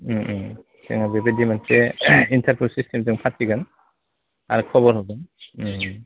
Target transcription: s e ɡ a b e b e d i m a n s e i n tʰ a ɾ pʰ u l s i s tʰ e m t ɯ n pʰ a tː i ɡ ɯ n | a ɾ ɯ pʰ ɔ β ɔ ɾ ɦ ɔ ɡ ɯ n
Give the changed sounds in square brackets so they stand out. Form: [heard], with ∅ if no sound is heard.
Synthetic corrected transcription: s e [ŋ] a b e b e d i m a n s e i n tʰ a ɾ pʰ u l s i s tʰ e m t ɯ [ŋ] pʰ a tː i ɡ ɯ n | a ɾ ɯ [kʰ] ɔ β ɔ ɾ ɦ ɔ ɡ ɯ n